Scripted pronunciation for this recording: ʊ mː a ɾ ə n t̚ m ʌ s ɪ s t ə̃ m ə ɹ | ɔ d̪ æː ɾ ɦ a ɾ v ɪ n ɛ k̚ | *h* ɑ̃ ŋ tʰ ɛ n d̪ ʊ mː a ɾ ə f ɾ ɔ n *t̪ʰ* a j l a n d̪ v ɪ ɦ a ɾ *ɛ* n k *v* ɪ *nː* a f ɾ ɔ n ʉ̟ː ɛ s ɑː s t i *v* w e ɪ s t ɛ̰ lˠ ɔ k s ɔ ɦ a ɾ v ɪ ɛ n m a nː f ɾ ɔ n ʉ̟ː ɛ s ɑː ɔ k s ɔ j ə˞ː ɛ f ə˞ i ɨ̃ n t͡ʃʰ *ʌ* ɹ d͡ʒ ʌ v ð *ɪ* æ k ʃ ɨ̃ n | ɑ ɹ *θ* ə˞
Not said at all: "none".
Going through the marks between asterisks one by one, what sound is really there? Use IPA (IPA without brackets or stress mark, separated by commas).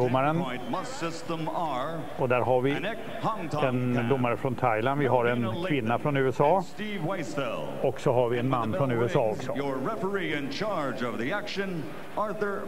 h, t̪ʰ, ɛ, v, nː, v, ɑ, i, θ